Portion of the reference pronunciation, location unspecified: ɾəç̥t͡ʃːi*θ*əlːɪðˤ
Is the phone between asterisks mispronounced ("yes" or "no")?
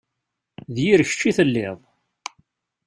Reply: no